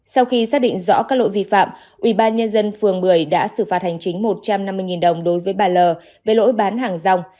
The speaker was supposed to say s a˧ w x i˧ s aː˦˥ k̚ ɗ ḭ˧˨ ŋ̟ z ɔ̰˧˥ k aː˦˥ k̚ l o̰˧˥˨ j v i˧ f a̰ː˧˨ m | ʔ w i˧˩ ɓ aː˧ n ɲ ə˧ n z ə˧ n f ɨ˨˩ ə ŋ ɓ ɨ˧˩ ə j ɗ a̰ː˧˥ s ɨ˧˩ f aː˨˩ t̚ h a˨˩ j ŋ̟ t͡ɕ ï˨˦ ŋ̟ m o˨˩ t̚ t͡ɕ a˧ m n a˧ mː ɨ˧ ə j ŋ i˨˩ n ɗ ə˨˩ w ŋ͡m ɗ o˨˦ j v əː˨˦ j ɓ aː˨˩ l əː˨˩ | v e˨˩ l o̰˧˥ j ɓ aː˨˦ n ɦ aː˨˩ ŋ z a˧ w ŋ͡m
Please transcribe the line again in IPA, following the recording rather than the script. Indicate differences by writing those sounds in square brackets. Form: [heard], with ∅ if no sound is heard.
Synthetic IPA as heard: s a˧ w x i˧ s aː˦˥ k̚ ɗ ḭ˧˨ ŋ̟ z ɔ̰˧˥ k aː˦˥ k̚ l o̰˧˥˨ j v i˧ f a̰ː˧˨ m | ʔ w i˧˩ ɓ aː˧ n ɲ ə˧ n z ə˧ n f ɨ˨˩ ə ŋ ɓ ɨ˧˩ ə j ɗ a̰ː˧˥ s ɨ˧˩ f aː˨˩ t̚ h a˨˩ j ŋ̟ t͡ɕ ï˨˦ ŋ̟ m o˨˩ t̚ t͡ɕ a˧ m n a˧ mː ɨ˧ ə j ŋ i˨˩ n ɗ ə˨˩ w ŋ͡m ɗ o˨˦ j v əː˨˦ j ɓ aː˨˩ l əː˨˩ | v e˨˩ l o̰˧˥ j ɓ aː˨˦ n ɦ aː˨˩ ŋ z a˧ w ŋ͡m

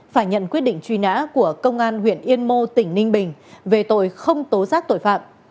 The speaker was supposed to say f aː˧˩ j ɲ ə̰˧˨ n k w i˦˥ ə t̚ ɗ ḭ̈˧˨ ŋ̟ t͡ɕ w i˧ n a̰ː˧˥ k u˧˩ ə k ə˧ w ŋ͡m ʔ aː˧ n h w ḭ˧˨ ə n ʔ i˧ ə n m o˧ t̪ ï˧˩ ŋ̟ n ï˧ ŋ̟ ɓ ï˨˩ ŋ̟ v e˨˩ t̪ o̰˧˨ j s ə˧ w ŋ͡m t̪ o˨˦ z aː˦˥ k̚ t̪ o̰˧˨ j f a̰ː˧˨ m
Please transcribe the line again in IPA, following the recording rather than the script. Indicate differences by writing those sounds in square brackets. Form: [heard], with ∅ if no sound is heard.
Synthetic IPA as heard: f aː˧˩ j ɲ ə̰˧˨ n k w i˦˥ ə t̚ ɗ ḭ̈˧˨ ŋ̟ t͡ɕ w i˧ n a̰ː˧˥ k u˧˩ ə k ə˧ w ŋ͡m ʔ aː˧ n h w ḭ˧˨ ə n ʔ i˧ ə n m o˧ t̪ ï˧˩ ŋ̟ n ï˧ ŋ̟ ɓ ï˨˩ ŋ̟ v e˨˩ t̪ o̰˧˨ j [x] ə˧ w ŋ͡m t̪ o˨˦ z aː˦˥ k̚ t̪ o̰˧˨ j f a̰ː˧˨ m

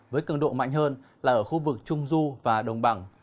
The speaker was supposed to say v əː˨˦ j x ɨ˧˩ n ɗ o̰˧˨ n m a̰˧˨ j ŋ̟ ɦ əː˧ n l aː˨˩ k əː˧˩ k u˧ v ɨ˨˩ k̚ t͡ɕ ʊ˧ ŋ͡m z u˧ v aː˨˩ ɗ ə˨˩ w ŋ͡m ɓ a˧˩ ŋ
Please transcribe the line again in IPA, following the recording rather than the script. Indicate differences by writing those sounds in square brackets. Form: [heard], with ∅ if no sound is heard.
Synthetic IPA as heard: v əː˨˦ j [k] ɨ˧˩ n ɗ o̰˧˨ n m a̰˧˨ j ŋ̟ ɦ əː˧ n l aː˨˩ [ʔ] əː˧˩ [x] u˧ v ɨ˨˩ k̚ t͡ɕ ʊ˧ ŋ͡m z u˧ v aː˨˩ ɗ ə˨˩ w ŋ͡m ɓ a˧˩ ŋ

